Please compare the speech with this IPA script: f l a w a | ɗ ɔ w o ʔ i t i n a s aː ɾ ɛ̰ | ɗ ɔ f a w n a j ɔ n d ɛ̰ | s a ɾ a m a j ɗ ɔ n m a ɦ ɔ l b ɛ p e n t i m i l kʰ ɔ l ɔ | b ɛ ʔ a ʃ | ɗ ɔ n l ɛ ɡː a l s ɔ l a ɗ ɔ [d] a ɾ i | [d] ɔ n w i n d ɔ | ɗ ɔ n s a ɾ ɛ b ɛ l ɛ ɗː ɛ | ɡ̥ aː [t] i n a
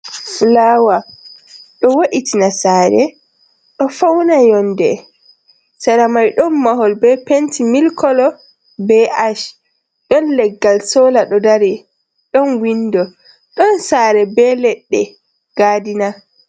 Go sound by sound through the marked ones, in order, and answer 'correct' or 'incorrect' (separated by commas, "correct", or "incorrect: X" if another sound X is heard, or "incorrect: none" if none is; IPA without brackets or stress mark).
correct, incorrect: ɗ, incorrect: d